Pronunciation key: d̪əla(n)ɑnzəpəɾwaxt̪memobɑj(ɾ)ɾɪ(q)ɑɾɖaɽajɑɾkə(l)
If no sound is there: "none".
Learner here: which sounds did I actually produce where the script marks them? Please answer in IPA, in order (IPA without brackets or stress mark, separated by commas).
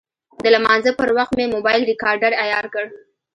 m, l, k, ɽ